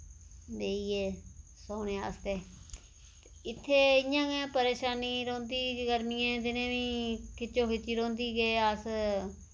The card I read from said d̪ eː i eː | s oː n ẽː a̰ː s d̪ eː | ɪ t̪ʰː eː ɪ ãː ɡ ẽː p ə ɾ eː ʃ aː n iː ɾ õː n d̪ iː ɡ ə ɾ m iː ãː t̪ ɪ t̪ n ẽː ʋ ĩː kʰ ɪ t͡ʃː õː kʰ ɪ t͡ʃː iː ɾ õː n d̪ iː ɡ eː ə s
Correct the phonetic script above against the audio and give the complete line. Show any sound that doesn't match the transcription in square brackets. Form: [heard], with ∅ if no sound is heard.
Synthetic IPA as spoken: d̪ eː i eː | s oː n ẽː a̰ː s [t̪] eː | ɪ t̪ʰː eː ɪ ãː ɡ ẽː p ə ɾ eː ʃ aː n iː ɾ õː n d̪ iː ɡ ə ɾ m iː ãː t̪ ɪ [∅] n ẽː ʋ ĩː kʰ ɪ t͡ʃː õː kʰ ɪ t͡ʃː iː ɾ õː n d̪ iː ɡ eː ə s